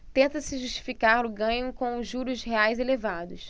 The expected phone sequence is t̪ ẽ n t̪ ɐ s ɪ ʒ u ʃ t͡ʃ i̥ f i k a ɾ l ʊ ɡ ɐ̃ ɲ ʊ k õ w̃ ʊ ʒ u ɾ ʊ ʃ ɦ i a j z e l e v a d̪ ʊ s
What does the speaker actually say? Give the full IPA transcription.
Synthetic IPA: t̪ ẽ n t̪ ɐ s ɪ ʒ u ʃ t͡ʃ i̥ f i k a ɾ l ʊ ɡ ɐ̃ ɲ ʊ k õ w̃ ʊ ʒ u ɾ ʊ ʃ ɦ e a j z e l e v a d̪ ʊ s